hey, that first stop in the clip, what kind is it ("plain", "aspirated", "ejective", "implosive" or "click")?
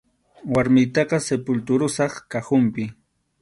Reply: plain